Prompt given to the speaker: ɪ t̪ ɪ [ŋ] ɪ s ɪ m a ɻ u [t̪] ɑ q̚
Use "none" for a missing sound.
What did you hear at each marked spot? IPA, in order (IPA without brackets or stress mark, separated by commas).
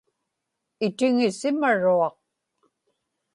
ŋ, none